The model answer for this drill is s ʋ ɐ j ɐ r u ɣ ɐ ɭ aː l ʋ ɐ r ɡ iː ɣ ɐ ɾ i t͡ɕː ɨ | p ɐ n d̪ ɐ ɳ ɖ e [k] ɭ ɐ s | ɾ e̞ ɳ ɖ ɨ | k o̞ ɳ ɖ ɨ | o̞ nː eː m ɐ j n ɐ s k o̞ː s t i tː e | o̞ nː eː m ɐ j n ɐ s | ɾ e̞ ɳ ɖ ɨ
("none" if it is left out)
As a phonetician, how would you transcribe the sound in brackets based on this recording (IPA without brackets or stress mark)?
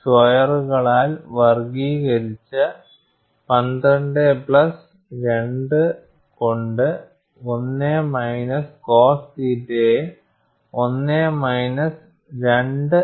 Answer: p